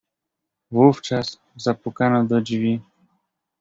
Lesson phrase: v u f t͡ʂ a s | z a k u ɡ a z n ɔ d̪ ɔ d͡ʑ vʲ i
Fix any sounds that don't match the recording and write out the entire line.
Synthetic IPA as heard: v u f t͡ʂ a s | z a p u k a n ɔ d̪ ɔ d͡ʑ vʲ i